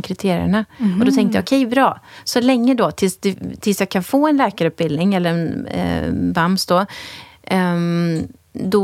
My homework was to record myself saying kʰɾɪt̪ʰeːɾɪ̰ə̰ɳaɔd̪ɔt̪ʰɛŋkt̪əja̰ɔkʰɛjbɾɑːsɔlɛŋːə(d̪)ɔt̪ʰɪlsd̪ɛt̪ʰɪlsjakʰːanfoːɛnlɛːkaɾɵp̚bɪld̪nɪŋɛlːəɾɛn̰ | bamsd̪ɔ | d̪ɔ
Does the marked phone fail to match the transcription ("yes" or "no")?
no